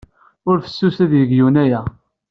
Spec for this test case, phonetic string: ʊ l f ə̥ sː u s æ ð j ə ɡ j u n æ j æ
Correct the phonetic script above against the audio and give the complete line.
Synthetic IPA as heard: ʊ ɾ f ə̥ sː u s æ ð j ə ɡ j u n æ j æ